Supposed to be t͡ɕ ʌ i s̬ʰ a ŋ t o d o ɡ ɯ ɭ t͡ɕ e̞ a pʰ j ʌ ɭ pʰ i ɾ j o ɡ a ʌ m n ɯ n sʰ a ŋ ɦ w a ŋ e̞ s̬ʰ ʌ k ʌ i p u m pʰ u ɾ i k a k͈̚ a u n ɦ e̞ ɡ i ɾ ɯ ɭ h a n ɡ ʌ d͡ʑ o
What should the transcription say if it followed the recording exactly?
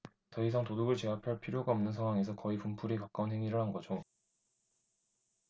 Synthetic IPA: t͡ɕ ʌ i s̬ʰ a ŋ t o d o ɡ ɯ ɭ t͡ɕ e̞ a pʰ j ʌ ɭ pʰ i ɾ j o ɡ a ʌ m n ɯ n sʰ a ŋ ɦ w a ŋ e̞ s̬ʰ ʌ k ʌ i p u m pʰ u ɾ i k a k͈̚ a u n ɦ e̞ ŋ i ɾ ɯ ɭ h a n ɡ ʌ d͡ʑ o